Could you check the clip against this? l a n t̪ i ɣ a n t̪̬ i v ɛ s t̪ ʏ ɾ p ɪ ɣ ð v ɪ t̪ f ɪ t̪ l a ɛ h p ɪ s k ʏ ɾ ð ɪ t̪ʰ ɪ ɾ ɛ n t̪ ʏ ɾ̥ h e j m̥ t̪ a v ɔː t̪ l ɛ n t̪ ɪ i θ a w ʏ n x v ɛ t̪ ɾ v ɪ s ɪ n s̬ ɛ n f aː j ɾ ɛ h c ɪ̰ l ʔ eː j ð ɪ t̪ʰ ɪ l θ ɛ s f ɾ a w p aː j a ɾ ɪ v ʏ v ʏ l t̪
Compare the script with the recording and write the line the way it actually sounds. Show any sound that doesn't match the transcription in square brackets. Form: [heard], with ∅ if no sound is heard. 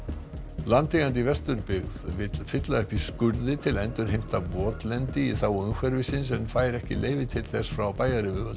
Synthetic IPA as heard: l a n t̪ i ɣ a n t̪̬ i v ɛ s t̪ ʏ ɾ p ɪ ɣ ð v ɪ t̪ f ɪ t̪ l a ɛ h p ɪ s k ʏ ɾ ð ɪ t̪ʰ ɪ [l] ɛ n t̪ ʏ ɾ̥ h e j m̥ t̪ a v ɔː t̪ l ɛ n t̪ ɪ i θ a w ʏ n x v ɛ [∅] ɾ v ɪ s ɪ n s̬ ɛ n f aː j ɾ ɛ h c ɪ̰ l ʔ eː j [v] ɪ t̪ʰ ɪ l θ ɛ s f ɾ a w p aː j a ɾ ɪ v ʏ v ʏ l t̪

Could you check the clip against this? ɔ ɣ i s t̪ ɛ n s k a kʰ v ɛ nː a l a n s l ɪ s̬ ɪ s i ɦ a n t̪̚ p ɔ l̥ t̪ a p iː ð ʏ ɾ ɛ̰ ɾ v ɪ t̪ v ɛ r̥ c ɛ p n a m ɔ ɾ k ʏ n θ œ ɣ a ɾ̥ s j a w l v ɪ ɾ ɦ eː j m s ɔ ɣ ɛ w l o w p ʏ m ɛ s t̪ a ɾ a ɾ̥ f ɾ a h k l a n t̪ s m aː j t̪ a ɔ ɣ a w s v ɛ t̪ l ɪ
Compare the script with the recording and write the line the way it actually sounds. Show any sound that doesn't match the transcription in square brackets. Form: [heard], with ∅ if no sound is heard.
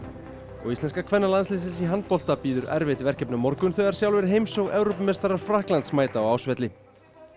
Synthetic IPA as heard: ɔ ɣ i s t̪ ɛ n s k a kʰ v ɛ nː a l a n s l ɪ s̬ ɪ s i ɦ a n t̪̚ p ɔ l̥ t̪ a p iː ð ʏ ɾ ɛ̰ ɾ v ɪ t̪ v ɛ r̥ c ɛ p n a m ɔ ɾ k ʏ n θ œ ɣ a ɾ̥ s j a w l v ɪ ɾ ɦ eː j m s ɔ ɣ ɛ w [ɾ] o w p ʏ m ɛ s t̪ a ɾ a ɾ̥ f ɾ a h k l a n t̪ s m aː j t̪ a ɔ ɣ a w s v ɛ t̪ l ɪ

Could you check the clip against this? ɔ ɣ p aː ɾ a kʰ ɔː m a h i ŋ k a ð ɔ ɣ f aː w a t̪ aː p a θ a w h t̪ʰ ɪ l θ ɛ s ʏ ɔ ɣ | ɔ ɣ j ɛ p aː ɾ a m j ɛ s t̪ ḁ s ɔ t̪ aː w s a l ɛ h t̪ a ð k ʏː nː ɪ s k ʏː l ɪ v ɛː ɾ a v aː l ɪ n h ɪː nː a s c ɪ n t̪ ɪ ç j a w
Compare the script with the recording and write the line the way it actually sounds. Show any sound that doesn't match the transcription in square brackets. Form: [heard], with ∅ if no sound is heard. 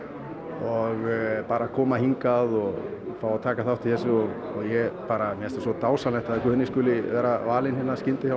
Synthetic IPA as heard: ɔ ɣ p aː ɾ a kʰ ɔː m a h i ŋ k a ð ɔ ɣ f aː w a [t̪ʰ] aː [k] a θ a w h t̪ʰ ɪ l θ ɛ s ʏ ɔ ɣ | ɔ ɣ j ɛ p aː ɾ a m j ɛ s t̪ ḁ s ɔ t̪ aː w s a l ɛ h t̪ a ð k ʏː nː ɪ s k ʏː l ɪ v ɛː ɾ a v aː l ɪ n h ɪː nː a s c ɪ n t̪ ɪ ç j a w

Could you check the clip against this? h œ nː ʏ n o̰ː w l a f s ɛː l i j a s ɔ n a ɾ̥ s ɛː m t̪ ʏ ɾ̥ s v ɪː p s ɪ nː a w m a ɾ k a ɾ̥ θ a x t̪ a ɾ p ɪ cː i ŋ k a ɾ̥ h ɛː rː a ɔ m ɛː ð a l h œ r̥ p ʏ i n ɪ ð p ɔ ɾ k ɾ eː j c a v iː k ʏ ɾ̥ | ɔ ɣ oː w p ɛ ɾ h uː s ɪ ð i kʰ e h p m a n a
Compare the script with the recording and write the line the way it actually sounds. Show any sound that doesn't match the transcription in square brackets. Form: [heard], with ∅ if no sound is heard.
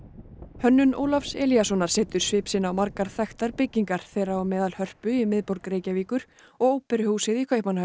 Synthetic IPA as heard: h œ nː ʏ n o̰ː w l a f s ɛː l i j a s ɔ n a ɾ̥ s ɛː [∅] t̪ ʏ ɾ̥ s v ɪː p s ɪ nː a w m a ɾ k a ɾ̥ θ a x t̪ a ɾ p ɪ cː i ŋ k a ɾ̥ [θ] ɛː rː a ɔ m ɛː ð a l h œ r̥ p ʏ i [m] ɪ ð p ɔ ɾ k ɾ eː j c a v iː k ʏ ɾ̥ | ɔ ɣ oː w p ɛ ɾ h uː s ɪ ð i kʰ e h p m a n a

